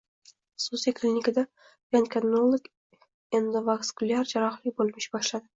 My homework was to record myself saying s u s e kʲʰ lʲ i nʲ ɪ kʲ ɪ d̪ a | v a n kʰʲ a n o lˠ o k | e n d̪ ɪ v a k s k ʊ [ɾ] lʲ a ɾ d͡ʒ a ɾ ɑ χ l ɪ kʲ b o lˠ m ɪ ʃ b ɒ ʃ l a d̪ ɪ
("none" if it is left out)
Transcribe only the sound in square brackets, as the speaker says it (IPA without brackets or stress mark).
none